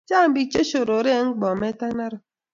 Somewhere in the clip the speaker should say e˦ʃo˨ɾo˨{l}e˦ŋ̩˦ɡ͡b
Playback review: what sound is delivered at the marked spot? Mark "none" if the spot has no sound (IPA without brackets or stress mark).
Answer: ɾ